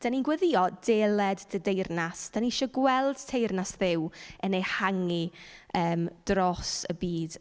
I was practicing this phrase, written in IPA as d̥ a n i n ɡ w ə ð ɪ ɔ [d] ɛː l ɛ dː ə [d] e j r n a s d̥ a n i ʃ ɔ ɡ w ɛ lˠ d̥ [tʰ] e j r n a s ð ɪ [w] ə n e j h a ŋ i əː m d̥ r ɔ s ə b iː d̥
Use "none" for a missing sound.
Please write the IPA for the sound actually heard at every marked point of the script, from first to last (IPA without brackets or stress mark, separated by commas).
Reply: d, d, tʰ, w